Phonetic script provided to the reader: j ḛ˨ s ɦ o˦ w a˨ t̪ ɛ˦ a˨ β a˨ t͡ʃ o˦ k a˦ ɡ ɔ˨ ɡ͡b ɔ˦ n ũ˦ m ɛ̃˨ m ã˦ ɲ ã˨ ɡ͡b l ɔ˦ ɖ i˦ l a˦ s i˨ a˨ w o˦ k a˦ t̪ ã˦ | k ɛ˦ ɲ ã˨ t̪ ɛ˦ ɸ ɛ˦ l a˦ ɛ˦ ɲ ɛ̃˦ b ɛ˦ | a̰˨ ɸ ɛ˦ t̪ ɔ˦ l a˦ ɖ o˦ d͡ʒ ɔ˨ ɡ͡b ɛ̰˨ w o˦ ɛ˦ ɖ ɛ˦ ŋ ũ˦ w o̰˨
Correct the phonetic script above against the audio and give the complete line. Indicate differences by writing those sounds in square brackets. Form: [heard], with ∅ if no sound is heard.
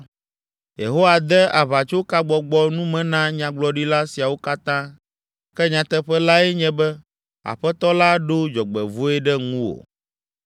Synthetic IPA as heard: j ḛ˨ [∅] ɦ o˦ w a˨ [d̪] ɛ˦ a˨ β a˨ t͡ʃ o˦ k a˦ [ɡ͡b] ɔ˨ ɡ͡b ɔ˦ n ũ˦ m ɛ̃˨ [n] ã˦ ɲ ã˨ ɡ͡b l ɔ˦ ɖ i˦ l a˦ s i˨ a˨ w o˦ k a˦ t̪ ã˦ | k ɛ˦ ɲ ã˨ t̪ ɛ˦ ɸ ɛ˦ l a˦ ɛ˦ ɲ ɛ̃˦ b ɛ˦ | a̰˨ ɸ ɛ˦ t̪ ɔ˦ l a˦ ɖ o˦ d͡ʒ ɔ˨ ɡ͡b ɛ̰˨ [v] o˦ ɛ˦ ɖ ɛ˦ ŋ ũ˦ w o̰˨